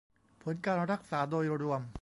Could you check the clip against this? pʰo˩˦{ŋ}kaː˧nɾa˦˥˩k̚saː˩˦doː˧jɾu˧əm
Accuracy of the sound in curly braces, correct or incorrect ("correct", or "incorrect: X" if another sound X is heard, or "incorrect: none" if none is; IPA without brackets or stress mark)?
incorrect: n